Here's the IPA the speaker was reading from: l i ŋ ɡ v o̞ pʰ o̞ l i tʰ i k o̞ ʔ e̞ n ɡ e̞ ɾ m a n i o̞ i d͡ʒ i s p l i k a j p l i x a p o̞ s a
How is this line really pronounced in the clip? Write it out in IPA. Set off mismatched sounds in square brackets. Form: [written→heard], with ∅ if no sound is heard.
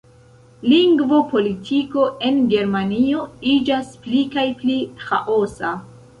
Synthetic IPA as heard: l i ŋ ɡ v o̞ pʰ o̞ l i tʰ i k o̞ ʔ e̞ n ɡ e̞ ɾ m a n i o̞ i d͡ʒ [i→a] s p l i k a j p l i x a [p→ʔ] o̞ s a